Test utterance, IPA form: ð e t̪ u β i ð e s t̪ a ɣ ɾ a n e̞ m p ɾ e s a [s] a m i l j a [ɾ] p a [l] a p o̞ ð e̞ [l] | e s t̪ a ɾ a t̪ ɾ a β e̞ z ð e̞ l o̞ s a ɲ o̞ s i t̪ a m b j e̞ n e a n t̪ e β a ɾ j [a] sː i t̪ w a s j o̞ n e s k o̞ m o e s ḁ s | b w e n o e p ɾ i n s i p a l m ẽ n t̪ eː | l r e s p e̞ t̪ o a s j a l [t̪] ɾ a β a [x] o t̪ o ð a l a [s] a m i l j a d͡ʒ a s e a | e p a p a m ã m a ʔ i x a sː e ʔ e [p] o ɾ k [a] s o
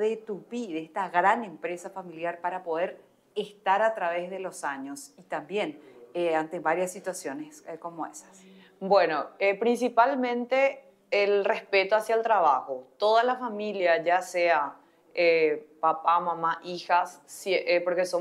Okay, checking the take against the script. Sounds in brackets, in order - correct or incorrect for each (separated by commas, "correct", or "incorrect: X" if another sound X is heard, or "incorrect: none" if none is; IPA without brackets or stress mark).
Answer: incorrect: f, correct, incorrect: ɾ, incorrect: ɾ, correct, correct, correct, incorrect: f, correct, incorrect: e